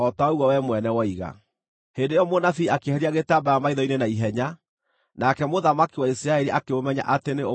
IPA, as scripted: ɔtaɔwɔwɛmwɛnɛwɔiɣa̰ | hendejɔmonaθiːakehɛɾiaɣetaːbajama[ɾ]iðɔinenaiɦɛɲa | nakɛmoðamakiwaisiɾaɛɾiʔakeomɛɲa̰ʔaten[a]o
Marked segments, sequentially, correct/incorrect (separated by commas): incorrect, incorrect